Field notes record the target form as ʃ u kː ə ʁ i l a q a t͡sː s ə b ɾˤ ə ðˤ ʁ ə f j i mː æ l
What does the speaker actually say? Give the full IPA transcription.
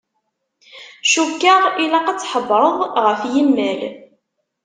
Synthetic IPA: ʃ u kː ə ʁ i l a q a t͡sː ħ ə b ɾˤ ə ðˤ ʁ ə f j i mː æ l